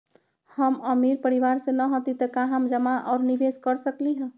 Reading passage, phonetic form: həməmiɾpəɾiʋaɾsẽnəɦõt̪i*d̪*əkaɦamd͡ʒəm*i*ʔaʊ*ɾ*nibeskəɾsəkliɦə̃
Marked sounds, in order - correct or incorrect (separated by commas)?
incorrect, incorrect, correct